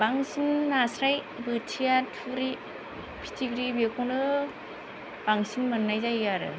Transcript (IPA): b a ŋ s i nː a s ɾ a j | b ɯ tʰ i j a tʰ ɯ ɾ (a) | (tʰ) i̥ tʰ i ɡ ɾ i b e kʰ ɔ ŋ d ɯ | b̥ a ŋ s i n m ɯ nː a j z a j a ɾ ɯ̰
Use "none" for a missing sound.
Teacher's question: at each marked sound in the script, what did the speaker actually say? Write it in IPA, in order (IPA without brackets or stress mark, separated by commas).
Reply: i, pʰ